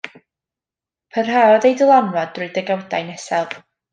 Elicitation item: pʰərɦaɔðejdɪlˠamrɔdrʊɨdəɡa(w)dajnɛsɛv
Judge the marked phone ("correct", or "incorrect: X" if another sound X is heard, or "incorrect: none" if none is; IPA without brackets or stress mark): correct